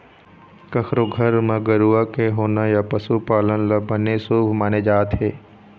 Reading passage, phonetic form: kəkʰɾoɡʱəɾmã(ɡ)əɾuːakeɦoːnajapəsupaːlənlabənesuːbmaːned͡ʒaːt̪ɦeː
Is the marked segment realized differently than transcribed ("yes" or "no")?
no